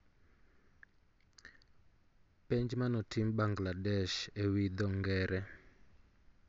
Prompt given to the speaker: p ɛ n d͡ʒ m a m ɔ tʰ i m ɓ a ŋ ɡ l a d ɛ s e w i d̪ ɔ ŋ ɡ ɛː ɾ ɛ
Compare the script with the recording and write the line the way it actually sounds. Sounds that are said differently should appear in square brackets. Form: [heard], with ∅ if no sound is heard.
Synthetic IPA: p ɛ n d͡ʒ m a [n] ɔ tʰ i m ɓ a ŋ ɡ l a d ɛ [ʃ] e w i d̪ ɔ ŋ ɡ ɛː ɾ ɛ